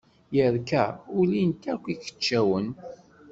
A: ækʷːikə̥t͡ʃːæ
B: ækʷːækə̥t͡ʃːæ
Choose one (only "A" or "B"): A